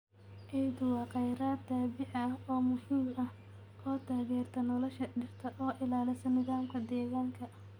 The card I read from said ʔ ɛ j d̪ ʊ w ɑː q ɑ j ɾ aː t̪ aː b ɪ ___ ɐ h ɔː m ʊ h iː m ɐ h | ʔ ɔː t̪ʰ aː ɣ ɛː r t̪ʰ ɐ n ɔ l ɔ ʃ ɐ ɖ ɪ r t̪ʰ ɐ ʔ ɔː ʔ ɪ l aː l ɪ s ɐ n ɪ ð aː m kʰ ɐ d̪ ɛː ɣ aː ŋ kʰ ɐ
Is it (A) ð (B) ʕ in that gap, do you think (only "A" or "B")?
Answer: B